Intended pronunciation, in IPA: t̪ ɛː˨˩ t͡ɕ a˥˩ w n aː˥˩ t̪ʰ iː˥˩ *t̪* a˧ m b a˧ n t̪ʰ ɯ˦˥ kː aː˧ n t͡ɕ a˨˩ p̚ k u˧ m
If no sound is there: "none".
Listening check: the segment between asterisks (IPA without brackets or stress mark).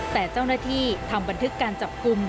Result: t̪ʰ